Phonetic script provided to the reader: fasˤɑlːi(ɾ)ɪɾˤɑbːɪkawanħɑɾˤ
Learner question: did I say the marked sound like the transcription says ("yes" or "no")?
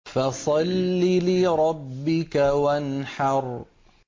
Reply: no